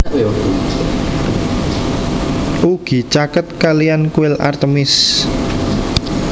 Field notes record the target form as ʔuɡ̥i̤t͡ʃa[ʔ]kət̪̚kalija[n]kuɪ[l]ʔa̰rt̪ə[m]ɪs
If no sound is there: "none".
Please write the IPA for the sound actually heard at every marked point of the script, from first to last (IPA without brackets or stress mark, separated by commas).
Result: none, n, l, m